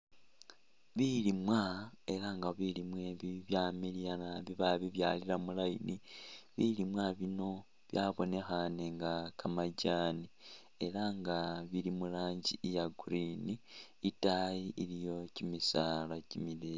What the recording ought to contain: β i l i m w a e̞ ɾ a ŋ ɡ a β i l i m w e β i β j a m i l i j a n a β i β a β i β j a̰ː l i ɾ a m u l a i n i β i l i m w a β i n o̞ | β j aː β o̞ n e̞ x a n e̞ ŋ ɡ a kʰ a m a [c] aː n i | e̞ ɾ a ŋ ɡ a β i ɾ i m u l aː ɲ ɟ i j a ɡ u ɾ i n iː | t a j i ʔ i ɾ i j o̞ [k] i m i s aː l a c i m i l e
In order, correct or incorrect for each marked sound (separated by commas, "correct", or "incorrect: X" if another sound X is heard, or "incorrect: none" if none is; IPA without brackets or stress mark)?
incorrect: ɟ, incorrect: c